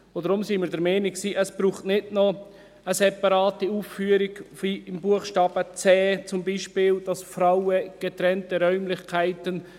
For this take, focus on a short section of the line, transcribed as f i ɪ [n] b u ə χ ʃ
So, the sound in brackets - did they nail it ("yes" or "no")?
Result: no